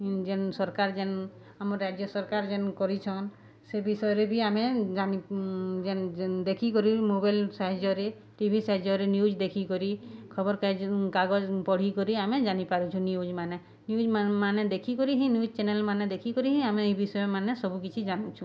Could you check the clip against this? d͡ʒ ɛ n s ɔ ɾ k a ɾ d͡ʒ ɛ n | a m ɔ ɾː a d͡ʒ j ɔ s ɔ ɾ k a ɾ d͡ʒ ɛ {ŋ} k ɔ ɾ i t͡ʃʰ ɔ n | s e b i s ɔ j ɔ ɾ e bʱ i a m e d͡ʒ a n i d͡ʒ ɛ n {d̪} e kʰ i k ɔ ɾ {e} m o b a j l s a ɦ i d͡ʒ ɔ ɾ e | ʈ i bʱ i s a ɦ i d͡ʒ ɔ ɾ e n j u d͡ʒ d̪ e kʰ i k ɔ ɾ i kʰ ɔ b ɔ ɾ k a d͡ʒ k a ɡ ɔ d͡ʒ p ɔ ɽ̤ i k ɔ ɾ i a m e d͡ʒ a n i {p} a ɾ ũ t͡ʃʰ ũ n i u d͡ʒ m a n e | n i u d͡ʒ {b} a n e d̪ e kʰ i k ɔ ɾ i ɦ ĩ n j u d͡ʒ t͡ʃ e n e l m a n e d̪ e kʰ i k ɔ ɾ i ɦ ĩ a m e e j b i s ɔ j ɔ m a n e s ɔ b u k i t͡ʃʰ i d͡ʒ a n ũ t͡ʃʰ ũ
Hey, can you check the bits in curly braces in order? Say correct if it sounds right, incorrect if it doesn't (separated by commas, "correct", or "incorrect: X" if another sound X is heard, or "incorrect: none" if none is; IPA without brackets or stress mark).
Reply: incorrect: n, correct, incorrect: i, correct, incorrect: m